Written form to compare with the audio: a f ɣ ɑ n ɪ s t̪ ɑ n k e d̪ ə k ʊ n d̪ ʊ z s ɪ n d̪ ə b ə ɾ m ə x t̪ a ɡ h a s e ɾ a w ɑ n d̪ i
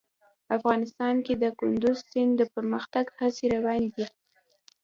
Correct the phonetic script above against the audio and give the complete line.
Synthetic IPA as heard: a f ɣ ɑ n ɪ s t̪ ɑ n k e d̪ ə k ʊ n d̪ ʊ z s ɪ n d̪ ə p ə ɾ m ə x t̪ a ɡ h a s e ɾ a w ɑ n d̪ i